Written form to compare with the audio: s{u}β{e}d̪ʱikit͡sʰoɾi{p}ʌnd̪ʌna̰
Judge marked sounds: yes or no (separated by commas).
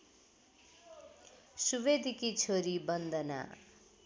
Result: yes, yes, no